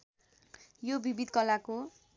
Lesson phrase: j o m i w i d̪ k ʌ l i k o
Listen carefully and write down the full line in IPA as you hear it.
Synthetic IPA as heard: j o b i b i d̪ k ʌ l a k o